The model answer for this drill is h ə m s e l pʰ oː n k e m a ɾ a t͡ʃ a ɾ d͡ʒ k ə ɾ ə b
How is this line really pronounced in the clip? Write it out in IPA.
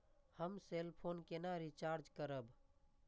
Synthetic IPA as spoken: h ə m s e l pʰ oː n k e n a ɾ i t͡ʃ a ɾ d͡ʒ k ə ɾ ə b